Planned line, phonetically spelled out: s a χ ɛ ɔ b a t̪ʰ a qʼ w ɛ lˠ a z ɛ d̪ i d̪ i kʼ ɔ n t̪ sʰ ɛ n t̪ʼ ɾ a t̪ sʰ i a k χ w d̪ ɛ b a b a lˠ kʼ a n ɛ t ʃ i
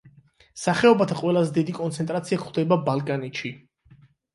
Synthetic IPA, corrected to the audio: s a χ ɛ ɔ b a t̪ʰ a qʼ w ɛ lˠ a z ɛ d̪ i d̪ i kʼ ɔ n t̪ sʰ ɛ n t̪ʼ ɾ a t̪ sʰ i a k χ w d̪ ɛ b a b a lˠ kʼ a n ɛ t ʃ i